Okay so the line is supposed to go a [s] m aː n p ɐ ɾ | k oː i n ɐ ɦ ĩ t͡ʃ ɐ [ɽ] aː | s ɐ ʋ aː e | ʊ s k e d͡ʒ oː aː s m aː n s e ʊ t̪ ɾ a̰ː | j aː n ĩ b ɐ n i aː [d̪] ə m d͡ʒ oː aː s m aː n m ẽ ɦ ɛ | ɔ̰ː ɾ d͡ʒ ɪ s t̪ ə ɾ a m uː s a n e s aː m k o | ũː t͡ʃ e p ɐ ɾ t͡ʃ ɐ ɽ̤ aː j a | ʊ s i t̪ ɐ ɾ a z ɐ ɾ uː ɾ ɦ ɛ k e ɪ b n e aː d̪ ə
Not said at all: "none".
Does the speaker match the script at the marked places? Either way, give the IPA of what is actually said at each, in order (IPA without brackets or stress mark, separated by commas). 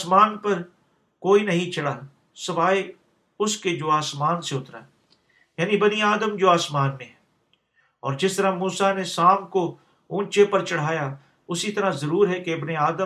s, ɽ, d̪